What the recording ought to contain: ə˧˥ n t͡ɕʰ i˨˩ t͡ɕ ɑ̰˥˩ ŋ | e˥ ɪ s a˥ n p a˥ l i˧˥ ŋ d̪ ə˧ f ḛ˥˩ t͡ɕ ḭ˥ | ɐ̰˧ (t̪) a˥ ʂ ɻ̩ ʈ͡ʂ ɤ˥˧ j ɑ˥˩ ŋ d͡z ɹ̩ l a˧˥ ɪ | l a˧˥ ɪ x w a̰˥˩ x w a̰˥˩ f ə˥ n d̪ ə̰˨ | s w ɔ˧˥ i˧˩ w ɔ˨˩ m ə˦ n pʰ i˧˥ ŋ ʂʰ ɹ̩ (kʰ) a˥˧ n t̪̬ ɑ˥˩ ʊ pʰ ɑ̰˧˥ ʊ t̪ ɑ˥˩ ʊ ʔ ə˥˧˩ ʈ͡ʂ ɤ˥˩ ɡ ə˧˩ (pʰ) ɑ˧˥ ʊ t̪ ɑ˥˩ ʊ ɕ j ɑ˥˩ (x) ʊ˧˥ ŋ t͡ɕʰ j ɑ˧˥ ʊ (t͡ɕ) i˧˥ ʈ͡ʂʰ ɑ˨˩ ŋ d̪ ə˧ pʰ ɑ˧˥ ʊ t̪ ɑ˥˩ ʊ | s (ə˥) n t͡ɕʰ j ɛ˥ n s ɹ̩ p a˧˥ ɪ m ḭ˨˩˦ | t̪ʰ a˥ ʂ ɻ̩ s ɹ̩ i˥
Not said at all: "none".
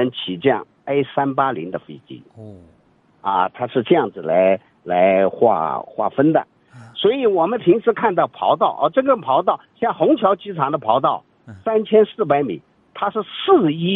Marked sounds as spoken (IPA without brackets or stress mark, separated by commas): t̪ʰ, kʰ, pʰ, x, t͡ɕ, a˥